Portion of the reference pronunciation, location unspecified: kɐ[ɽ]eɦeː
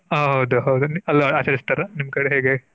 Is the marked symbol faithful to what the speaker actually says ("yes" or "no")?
yes